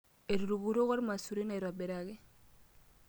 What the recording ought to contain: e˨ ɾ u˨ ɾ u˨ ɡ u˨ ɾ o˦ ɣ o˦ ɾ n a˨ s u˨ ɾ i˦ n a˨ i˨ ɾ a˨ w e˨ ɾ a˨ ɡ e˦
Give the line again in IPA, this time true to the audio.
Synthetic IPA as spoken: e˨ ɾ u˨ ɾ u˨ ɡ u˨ ɾ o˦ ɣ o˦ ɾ m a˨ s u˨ ɾ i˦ n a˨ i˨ ɾ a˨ b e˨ ɾ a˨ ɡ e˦